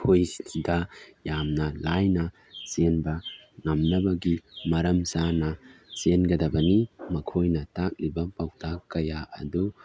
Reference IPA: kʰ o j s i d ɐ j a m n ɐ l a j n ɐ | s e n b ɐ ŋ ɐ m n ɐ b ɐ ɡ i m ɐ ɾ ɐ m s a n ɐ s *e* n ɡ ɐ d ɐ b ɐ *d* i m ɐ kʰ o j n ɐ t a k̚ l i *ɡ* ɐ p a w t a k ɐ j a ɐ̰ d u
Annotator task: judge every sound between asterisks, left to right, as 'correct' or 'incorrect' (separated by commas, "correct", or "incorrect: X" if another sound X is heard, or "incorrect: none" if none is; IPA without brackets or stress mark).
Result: correct, incorrect: n, incorrect: b